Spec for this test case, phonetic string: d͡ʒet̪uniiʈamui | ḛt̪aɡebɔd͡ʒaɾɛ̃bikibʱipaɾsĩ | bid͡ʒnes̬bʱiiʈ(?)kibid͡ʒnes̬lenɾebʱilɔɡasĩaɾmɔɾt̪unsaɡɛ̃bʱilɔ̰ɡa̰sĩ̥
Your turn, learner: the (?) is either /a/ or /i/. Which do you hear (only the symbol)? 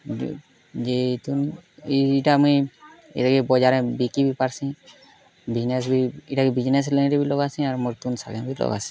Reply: a